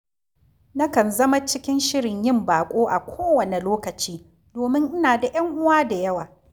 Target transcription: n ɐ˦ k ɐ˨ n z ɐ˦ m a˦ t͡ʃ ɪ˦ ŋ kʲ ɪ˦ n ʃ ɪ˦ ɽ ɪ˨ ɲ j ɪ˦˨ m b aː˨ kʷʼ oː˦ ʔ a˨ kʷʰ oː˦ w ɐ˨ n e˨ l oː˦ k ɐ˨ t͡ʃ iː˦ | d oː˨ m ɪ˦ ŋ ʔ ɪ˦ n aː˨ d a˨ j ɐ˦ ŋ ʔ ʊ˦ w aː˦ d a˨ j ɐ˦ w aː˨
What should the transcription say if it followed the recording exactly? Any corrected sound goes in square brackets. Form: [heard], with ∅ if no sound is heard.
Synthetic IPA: n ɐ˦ k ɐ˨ n z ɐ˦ m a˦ t͡ʃ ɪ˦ [∅] kʲ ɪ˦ n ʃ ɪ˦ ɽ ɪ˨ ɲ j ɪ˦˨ m b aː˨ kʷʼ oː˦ ʔ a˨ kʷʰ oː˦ w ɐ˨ n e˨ l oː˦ k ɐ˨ t͡ʃ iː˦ | d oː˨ m ɪ˦ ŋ ʔ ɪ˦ n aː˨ d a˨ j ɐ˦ ŋ ʔ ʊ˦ w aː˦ d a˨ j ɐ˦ w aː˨